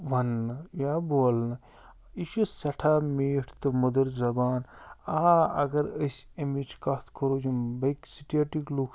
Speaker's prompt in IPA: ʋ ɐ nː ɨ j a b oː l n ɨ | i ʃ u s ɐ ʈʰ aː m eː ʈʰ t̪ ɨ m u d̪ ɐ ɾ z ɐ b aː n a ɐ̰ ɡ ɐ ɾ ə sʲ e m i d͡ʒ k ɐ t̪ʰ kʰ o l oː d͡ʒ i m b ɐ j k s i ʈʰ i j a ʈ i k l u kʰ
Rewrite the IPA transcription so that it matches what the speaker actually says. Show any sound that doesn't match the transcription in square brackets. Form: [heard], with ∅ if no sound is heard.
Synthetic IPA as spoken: ʋ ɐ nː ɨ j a b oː l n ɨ | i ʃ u s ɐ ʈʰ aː m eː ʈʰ t̪ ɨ m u d̪ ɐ ɾ z ɐ b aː n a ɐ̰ ɡ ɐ ɾ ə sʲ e m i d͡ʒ k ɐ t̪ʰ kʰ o [ɾ] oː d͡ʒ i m b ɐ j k s i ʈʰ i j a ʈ i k l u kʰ